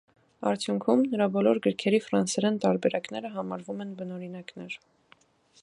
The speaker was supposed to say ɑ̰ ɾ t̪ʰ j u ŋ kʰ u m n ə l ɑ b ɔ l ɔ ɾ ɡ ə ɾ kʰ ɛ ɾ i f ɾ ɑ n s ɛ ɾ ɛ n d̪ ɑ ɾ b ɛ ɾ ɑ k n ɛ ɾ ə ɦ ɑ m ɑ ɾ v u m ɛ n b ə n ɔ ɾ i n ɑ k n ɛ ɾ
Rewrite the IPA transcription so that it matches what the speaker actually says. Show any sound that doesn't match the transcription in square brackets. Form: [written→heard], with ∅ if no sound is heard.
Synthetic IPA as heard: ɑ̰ ɾ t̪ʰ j u ŋ kʰ u m n ə [l→ɾ] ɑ b ɔ l ɔ ɾ ɡ ə ɾ kʰ ɛ ɾ i f ɾ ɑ n s ɛ ɾ ɛ n [d̪→t̪] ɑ ɾ b ɛ ɾ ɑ k n ɛ ɾ ə ɦ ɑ m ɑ ɾ v u m ɛ n b ə n ɔ ɾ i n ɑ k n ɛ ɾ